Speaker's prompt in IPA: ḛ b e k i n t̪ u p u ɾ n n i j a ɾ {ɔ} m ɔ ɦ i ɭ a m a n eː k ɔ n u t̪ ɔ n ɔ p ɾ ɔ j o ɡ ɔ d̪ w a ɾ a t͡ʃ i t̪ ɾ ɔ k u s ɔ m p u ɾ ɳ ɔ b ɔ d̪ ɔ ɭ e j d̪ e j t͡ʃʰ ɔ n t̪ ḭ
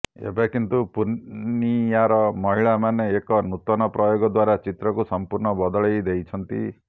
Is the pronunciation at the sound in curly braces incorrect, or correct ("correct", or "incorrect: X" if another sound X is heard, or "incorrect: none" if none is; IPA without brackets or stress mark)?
correct